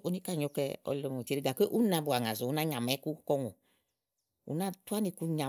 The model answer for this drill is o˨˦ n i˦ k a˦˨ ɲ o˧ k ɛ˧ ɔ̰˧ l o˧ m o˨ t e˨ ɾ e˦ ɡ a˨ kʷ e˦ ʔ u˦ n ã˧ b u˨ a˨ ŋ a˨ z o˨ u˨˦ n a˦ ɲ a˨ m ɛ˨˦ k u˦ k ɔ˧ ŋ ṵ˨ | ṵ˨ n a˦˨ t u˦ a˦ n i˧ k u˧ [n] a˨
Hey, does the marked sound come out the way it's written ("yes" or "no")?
no